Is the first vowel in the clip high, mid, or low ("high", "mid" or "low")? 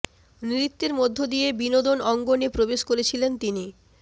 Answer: high